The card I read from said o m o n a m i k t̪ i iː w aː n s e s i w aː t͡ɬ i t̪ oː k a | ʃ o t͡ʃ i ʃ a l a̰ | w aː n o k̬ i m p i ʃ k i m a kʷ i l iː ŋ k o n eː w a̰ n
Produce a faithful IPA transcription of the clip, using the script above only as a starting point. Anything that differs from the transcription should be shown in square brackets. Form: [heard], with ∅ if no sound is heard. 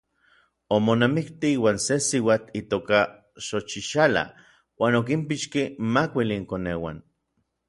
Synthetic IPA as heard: o m o n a m i k t̪ i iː w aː n s e s i w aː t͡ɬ i t̪ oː k a | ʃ o t͡ʃ i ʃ a l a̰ | w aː n o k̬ i m p i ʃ k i m a kʷ i l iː ŋ k o n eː w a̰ n